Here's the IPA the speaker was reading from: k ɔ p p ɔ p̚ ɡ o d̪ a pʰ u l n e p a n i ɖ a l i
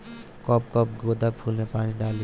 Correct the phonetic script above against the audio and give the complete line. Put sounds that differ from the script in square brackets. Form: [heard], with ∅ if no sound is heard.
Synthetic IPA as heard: k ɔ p [k] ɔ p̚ ɡ o d̪ a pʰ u l n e p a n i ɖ a l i

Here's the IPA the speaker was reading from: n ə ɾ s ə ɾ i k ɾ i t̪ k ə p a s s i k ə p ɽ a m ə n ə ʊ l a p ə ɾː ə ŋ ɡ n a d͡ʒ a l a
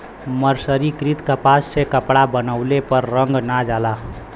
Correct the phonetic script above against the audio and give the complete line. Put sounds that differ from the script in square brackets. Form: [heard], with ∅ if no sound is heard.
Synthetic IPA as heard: [m] ə ɾ s ə ɾ i k ɾ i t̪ k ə p a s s [e] k ə p ɽ a [b] ə n ə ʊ l [e] p ə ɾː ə ŋ ɡ n a d͡ʒ a l a

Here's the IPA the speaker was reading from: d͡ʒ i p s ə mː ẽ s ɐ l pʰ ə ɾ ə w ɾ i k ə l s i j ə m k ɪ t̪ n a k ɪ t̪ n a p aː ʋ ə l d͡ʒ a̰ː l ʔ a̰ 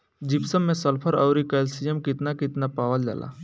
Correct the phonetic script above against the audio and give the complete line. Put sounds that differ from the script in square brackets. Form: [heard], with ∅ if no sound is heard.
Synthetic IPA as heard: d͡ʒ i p s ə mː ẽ s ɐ l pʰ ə ɾ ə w ɾ i k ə l s i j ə m k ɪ t̪ n a k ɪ t̪ n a p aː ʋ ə l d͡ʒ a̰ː l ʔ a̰

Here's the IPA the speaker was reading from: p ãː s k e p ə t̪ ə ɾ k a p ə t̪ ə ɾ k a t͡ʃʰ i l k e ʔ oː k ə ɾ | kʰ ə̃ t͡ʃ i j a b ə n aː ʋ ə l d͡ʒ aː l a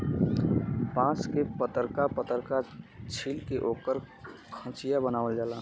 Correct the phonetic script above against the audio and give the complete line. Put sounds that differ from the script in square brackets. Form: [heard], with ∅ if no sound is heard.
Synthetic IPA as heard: p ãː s k e p ə t̪ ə ɾ k a p ə t̪ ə ɾ k a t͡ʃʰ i l k e ʔ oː k ə ɾ | kʰ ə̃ t͡ʃ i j a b ə n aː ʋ ə l d͡ʒ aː l a

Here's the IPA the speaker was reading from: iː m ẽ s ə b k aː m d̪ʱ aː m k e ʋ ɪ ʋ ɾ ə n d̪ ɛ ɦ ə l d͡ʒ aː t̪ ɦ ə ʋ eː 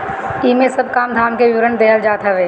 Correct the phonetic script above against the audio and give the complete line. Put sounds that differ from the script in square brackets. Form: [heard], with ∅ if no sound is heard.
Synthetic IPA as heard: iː m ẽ s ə b k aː m d̪ʱ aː m k e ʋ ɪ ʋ ɾ ə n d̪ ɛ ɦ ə l d͡ʒ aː t̪ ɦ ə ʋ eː

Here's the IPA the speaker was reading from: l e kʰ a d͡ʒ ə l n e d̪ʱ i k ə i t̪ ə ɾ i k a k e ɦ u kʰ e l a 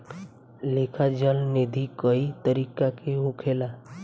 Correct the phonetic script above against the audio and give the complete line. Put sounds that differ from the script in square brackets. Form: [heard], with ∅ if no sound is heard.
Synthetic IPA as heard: l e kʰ a d͡ʒ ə l n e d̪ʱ i k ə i t̪ ə ɾ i k a k e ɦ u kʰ e l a

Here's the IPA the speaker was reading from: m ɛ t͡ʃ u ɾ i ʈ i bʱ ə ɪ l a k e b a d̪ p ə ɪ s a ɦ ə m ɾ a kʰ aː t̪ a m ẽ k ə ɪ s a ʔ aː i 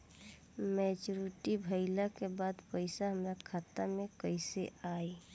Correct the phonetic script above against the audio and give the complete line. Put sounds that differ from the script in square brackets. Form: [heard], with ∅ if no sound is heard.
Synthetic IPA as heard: m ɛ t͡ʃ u ɾ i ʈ i bʱ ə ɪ l a k e b a d̪ p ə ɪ s a ɦ ə m ɾ a kʰ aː t̪ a m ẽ k ə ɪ s [e] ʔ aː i

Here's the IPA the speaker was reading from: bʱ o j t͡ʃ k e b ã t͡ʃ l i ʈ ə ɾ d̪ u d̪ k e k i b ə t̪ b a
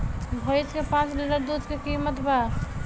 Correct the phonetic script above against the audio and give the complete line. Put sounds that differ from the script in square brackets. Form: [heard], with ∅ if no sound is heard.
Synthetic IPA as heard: bʱ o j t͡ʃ k e [p] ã t͡ʃ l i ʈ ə ɾ d̪ u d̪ k e k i [m] ə t̪ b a

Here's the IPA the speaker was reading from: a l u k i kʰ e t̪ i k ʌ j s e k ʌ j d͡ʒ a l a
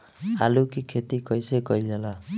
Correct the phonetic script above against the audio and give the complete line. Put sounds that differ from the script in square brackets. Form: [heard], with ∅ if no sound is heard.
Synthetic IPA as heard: a l u k i kʰ e t̪ i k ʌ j s e k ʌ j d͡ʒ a l a

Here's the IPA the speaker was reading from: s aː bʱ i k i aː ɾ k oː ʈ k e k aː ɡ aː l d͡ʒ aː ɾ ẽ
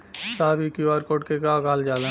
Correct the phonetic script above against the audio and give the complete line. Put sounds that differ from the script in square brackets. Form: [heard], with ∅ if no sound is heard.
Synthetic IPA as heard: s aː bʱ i k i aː ɾ k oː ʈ k e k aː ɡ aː l d͡ʒ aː [l] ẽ

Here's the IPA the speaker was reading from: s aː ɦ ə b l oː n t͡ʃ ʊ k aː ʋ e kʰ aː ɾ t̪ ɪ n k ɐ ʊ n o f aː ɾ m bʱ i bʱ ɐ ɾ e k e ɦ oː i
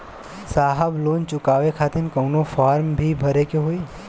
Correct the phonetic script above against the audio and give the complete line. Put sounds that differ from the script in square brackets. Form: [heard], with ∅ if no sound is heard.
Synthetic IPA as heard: s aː ɦ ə b l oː n t͡ʃ ʊ k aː ʋ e kʰ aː [∅] t̪ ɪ n k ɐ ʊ n o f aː ɾ m bʱ i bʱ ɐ ɾ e k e ɦ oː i

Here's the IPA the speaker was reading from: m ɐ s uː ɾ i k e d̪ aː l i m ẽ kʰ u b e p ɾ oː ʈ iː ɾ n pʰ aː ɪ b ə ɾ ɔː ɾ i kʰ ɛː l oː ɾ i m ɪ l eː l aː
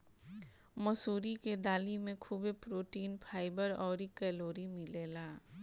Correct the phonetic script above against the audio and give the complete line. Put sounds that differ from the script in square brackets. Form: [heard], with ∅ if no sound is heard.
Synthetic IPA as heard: m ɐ s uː ɾ i k e d̪ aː l i m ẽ kʰ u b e p ɾ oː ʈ iː [∅] n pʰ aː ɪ b ə ɾ ɔː ɾ i [k] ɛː l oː ɾ i m ɪ l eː l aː

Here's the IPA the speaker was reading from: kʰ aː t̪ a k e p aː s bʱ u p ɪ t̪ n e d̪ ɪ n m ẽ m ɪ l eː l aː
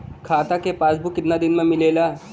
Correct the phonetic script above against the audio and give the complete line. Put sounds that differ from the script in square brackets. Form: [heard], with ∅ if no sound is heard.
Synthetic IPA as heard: kʰ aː t̪ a k e p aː s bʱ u [k] ɪ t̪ n [a] d̪ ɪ n m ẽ m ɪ l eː l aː

